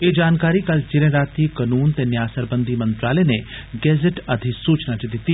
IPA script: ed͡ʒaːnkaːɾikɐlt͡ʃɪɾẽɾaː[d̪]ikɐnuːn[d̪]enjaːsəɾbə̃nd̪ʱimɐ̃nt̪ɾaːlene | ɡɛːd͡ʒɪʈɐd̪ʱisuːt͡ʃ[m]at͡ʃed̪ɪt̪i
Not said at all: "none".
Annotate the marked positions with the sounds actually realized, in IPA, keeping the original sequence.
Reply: t̪, t̪, n

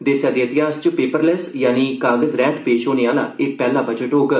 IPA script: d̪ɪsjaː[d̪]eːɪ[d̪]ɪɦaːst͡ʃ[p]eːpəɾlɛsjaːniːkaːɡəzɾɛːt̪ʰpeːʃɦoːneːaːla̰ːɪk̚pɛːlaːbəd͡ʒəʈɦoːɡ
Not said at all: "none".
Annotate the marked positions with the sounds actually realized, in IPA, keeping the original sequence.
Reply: d̪, t̪, p

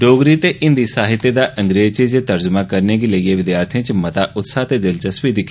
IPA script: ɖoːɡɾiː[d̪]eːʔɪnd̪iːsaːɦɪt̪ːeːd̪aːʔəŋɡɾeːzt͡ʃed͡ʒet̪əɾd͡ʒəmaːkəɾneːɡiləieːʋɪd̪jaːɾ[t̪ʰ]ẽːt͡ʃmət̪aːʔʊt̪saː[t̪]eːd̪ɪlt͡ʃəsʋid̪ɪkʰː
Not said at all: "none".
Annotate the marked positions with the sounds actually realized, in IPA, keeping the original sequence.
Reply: t̪, t̪ʰ, t̪

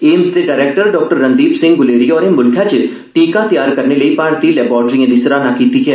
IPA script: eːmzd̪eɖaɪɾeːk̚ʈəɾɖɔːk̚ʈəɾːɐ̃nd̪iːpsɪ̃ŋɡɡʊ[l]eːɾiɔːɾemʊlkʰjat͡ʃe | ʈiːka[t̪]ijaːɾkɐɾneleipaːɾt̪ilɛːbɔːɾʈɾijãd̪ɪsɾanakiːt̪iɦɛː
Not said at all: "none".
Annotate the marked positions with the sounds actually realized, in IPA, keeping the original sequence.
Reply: l, t̪

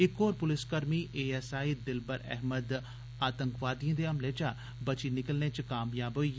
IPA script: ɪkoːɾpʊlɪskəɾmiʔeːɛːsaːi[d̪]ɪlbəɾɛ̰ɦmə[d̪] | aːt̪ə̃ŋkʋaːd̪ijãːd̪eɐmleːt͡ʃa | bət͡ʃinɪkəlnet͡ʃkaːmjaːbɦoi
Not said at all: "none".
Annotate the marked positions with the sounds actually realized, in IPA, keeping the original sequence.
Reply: d̪, d̪

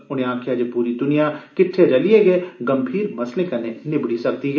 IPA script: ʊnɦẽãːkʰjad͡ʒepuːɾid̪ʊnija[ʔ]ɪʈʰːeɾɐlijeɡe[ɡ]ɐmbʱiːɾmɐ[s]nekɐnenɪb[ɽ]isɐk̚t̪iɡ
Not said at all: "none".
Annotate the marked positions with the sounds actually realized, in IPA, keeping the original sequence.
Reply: k, ɡ, s, ɽ

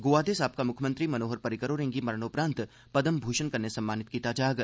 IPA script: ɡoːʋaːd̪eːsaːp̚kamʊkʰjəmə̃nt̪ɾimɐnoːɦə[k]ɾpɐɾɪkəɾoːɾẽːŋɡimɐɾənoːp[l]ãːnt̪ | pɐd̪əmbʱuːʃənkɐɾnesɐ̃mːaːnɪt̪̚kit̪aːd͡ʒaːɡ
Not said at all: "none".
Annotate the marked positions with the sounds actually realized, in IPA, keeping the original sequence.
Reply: none, ɾ

